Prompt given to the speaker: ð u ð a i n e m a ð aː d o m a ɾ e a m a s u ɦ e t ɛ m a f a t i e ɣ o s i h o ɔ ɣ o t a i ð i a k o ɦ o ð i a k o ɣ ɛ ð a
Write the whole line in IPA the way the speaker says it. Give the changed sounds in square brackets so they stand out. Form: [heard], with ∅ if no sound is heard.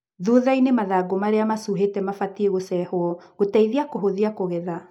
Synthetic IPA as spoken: ð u ð a i n e m a ð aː [ɡ] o m a ɾ e a m a s u ɦ e t ɛ m a f a t i e ɣ o s [ɛ] h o ɔ ɣ o t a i ð i a k o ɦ o ð i a k o ɣ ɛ ð a